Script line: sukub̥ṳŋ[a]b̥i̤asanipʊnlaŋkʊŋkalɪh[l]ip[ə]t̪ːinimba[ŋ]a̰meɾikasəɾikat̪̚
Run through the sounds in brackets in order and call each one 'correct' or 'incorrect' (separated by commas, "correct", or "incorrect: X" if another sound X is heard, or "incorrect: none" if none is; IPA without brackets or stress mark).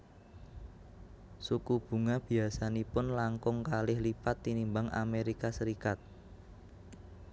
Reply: correct, correct, incorrect: a, correct